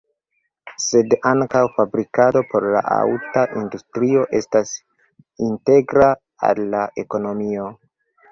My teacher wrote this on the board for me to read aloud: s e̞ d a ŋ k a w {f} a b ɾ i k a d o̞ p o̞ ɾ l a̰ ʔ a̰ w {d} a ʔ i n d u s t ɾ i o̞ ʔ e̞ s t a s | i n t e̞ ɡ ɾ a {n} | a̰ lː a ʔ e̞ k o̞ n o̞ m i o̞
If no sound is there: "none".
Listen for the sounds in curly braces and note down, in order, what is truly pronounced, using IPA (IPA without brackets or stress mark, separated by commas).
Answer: f, t, none